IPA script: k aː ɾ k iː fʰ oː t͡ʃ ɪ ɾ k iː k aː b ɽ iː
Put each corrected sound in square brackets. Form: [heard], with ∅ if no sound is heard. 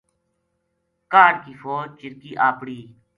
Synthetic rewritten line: k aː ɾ k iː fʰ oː t͡ʃ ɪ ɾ k iː [ʔ] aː [p] ɽ iː

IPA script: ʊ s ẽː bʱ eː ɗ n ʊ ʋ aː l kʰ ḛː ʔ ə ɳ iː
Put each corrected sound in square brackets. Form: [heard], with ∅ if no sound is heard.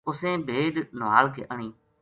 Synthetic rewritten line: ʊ s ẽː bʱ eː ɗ n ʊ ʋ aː l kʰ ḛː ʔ ə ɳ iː

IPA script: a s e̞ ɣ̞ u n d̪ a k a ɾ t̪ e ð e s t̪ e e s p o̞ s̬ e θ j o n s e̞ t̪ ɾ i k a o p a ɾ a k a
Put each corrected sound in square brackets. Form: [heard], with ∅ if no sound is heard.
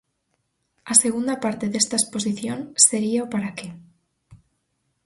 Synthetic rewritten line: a s e̞ ɣ̞ u n d̪ a [p] a ɾ t̪ e ð e s t̪ [a] e s p o̞ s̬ [i] θ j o n s e̞ [∅] ɾ i [∅] a o p a ɾ a k [e]

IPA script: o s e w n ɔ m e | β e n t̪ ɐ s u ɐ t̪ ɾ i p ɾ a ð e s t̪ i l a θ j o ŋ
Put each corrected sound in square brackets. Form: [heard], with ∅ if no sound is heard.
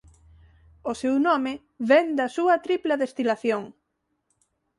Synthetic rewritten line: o s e w n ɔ m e | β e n [d̪] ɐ s u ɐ t̪ ɾ i p [l] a ð e s t̪ i l a θ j o ŋ

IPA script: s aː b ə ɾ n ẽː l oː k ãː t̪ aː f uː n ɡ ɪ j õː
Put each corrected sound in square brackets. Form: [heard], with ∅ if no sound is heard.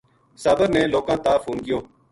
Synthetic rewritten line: s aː b ə ɾ n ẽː l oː k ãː t̪ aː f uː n ɡ ɪ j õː

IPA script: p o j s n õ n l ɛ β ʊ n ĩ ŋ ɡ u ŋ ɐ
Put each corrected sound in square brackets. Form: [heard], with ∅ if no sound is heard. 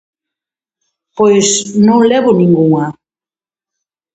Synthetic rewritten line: p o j s n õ [ŋ] l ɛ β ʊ n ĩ ŋ ɡ u ŋ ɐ

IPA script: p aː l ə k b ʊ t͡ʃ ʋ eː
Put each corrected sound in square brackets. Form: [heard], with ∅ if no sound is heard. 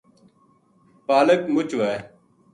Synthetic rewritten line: p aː l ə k [m] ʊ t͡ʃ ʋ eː

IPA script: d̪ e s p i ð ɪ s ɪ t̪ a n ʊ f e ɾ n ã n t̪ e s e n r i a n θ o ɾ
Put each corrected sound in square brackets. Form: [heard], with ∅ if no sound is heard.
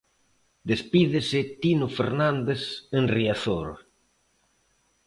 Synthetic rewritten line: d̪ e s p i ð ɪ s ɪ t̪ [i] n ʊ f e ɾ n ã n [d̪] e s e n r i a [∅] θ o ɾ

